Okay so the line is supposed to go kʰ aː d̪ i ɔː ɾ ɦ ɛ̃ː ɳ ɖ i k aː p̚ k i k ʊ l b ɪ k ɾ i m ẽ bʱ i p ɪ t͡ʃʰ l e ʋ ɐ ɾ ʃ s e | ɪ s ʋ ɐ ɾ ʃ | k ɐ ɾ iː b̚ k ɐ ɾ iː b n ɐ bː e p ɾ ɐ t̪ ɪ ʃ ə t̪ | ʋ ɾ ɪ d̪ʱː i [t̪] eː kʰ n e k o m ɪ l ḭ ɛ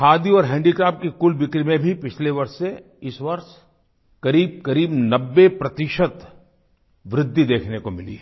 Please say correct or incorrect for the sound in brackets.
incorrect